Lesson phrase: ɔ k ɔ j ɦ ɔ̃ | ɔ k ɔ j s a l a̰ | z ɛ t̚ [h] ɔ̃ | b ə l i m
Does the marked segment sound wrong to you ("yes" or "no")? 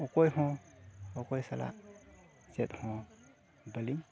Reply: no